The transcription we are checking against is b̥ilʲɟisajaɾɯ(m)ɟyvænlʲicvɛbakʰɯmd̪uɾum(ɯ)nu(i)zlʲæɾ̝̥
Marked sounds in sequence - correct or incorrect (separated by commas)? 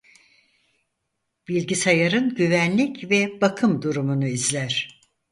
incorrect, incorrect, correct